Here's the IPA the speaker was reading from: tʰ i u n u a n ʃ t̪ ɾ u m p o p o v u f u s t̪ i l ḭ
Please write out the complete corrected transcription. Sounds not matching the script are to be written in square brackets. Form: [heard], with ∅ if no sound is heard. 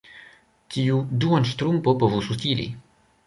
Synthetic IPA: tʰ i u [d] u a n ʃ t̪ ɾ u m p o p o v u [s] u s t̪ i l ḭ